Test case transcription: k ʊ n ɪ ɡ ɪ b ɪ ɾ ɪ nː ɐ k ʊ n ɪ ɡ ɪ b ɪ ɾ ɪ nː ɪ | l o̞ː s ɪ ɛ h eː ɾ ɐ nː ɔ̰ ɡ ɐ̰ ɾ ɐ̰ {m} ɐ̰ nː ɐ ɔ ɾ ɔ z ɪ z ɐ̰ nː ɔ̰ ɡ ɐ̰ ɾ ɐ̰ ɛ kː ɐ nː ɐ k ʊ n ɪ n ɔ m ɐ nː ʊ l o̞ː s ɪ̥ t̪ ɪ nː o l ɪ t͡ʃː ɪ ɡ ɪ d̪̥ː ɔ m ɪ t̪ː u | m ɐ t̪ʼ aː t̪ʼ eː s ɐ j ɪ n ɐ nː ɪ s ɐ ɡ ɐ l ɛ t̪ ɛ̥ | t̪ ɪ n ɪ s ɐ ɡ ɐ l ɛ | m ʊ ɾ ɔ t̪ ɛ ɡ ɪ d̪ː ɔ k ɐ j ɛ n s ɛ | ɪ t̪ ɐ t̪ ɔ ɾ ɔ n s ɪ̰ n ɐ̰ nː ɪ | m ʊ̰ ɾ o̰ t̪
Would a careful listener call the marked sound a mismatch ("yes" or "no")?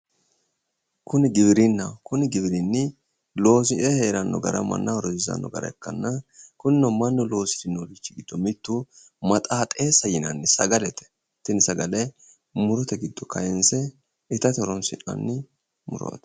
no